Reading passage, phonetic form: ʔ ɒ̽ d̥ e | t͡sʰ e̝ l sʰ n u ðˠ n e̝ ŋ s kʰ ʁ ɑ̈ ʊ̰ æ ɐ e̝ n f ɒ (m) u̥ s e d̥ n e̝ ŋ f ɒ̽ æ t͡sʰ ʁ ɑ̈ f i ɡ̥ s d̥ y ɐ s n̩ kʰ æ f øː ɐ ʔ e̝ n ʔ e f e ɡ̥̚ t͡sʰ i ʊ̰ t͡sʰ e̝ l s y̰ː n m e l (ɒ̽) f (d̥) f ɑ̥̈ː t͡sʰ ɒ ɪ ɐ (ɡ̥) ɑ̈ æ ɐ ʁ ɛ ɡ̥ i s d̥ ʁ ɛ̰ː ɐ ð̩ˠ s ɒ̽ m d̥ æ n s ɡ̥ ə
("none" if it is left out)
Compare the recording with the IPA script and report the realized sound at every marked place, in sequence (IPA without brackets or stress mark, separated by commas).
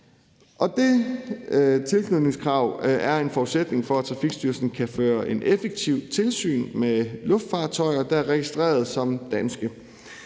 none, ɔ̽, d̥, d̥